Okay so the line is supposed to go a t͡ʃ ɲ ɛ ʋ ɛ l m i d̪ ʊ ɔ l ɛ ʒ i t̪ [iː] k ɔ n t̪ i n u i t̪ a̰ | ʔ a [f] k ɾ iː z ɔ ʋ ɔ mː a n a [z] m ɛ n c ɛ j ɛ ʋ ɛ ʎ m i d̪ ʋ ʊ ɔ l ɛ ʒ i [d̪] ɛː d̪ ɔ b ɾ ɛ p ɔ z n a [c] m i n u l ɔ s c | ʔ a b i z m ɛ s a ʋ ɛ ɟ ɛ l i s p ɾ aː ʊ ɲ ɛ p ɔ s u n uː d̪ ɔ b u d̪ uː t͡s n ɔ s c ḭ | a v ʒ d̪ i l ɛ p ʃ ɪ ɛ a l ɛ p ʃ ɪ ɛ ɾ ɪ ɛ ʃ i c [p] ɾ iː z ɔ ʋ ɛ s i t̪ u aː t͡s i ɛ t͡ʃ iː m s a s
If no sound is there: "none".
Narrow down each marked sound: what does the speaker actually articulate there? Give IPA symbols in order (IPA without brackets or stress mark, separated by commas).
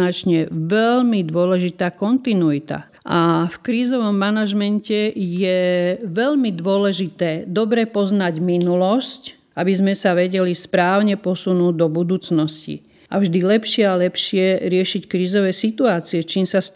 aː, f, ʒ, t̪, ɟ, k